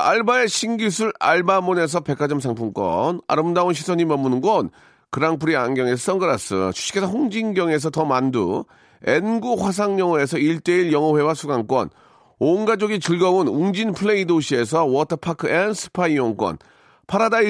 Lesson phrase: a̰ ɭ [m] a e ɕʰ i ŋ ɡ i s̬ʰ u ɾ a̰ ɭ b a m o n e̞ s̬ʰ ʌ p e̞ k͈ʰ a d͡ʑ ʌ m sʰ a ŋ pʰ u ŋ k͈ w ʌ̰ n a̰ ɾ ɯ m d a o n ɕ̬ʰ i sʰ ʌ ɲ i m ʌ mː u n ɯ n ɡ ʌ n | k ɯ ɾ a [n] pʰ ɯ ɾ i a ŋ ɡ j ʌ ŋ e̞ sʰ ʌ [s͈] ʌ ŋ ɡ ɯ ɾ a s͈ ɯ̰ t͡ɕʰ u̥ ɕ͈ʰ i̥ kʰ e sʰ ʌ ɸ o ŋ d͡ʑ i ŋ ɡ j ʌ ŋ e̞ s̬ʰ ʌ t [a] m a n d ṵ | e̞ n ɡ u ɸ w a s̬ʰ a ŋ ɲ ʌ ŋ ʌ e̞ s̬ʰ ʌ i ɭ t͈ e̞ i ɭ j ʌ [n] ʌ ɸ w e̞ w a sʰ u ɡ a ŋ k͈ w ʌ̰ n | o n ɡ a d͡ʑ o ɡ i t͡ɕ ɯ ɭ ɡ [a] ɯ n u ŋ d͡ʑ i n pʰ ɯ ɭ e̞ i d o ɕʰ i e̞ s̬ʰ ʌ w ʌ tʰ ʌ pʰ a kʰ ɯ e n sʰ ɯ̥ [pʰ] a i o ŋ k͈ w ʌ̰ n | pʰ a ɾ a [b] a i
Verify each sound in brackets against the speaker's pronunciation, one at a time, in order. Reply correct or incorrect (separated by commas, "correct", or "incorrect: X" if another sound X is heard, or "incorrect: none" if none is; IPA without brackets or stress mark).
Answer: incorrect: b, incorrect: ŋ, correct, incorrect: ʌ, incorrect: ŋ, incorrect: ʌ, correct, incorrect: d